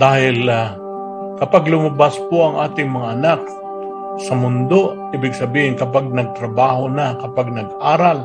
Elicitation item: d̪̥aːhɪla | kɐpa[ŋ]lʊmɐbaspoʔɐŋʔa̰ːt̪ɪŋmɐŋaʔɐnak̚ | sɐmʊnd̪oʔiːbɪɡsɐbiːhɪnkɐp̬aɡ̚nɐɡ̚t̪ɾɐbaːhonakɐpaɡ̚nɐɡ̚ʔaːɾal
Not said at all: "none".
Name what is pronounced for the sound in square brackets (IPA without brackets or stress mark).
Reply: ɡ